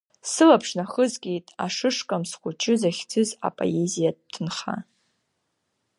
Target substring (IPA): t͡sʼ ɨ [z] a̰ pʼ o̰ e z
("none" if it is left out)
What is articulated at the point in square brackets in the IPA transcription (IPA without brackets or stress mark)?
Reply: z